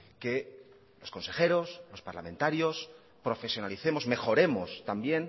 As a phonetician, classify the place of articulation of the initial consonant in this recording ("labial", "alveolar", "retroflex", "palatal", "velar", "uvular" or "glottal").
velar